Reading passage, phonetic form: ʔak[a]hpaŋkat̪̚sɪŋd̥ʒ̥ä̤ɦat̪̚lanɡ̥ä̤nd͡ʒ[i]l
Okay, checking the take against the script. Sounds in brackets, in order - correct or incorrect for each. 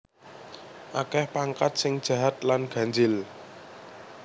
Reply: incorrect, incorrect

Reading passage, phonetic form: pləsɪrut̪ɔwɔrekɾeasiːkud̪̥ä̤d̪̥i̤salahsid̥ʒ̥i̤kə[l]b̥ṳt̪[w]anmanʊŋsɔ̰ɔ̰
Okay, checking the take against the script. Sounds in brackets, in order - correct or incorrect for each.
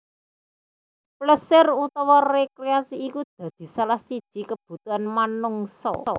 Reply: incorrect, incorrect

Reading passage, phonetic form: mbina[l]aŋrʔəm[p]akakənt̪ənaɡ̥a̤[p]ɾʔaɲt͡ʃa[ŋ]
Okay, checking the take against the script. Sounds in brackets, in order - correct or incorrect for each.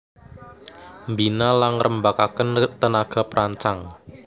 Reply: correct, incorrect, correct, correct

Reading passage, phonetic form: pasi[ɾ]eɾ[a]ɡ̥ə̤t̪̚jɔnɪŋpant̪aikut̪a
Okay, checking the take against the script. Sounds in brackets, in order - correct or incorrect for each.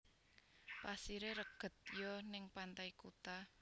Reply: correct, incorrect

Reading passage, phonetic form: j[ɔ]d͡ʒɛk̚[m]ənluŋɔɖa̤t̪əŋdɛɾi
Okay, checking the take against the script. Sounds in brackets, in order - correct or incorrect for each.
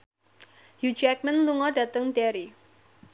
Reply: incorrect, correct

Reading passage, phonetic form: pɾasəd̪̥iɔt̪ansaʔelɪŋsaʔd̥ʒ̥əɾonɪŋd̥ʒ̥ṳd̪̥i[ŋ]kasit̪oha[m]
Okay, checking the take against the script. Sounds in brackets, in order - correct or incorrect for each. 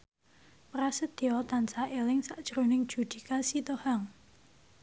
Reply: incorrect, incorrect

